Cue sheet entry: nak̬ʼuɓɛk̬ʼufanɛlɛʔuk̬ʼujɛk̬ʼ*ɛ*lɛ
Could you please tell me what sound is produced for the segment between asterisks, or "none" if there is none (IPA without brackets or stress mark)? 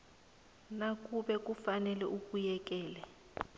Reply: ɛː